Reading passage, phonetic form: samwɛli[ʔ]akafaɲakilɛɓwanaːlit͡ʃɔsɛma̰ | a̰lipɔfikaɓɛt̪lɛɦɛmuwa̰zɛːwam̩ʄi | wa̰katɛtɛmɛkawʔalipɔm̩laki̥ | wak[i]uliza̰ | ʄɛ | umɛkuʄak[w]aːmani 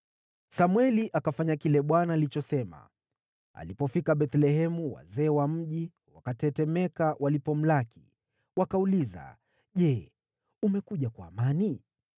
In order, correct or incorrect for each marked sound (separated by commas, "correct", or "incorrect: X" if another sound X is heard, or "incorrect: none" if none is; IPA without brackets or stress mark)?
correct, incorrect: a, correct